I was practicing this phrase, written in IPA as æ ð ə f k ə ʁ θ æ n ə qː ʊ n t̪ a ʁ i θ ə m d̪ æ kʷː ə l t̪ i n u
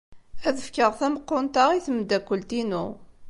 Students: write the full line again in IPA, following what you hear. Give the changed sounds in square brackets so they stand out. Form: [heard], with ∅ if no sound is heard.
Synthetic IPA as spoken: æ ð ə f k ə ʁ θ æ [m] ə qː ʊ n t̪ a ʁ i θ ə m d̪ æ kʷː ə l t̪ i n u